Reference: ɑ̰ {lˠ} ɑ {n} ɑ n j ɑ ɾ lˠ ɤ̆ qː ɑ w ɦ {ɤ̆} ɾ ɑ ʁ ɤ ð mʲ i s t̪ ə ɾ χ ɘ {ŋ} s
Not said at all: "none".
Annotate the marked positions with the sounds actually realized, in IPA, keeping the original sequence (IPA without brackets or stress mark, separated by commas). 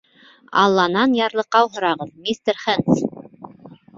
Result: lˠː, n, ŏ, n